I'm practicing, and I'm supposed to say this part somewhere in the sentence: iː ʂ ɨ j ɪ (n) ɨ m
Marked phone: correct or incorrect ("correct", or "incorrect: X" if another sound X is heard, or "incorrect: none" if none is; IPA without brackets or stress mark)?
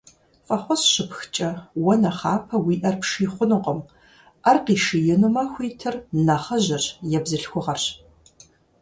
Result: correct